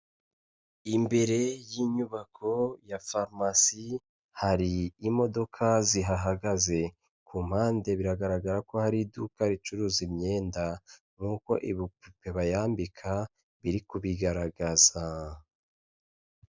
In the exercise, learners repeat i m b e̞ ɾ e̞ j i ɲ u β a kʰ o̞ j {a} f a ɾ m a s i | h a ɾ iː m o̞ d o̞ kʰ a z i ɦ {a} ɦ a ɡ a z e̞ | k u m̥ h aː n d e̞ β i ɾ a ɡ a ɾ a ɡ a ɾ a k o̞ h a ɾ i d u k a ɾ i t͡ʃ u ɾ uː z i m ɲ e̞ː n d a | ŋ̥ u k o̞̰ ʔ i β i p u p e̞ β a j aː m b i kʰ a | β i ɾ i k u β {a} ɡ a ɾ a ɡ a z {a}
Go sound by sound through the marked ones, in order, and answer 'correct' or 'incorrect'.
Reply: correct, correct, incorrect: i, correct

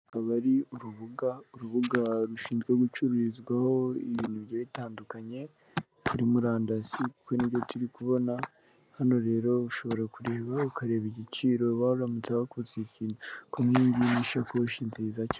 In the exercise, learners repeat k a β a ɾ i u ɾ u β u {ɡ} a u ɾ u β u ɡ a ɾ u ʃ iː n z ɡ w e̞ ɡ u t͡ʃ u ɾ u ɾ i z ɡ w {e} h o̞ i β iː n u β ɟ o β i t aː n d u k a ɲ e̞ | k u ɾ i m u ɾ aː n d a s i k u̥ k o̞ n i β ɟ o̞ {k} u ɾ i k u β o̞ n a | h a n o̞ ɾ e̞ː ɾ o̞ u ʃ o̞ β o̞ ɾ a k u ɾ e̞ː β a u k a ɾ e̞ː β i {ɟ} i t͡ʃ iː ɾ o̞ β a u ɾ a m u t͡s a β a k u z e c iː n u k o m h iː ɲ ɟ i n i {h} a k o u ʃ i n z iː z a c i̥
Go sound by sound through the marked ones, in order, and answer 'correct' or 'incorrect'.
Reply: correct, incorrect: a, incorrect: t, correct, incorrect: ʃ

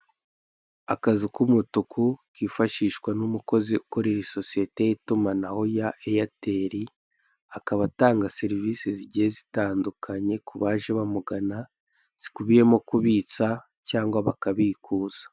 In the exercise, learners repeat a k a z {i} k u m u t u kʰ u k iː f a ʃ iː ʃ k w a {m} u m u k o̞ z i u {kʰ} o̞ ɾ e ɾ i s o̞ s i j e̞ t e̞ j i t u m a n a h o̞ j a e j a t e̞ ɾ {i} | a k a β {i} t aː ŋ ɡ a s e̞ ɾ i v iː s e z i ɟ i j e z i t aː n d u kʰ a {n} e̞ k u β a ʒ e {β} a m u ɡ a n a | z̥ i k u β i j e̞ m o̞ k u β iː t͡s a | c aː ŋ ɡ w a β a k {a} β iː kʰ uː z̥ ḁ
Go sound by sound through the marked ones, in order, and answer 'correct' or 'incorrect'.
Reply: correct, incorrect: n, incorrect: k, correct, incorrect: a, incorrect: ɲ, correct, correct

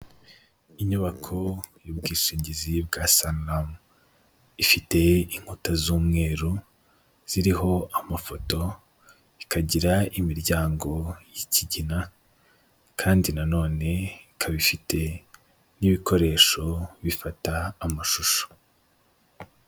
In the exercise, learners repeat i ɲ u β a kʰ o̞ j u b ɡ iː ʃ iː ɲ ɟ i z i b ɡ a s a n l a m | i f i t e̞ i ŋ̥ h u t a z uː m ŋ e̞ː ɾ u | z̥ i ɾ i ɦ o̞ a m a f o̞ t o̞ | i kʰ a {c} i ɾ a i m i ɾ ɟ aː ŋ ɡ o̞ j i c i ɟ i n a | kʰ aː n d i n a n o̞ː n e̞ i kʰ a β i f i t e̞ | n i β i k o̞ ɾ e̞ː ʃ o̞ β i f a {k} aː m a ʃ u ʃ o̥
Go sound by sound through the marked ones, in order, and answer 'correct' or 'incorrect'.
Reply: incorrect: ɟ, incorrect: t

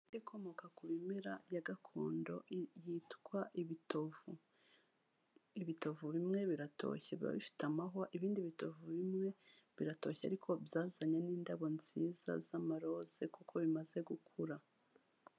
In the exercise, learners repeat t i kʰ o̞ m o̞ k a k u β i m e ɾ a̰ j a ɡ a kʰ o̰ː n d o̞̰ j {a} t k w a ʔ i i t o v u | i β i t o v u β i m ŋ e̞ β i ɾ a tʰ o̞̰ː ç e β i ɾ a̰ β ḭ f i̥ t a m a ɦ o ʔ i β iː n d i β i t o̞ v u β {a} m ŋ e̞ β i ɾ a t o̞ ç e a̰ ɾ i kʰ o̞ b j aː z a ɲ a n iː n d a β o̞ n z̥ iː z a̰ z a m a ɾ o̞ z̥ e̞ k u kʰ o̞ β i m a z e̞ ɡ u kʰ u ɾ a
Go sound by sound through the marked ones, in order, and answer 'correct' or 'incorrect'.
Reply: incorrect: i, incorrect: i

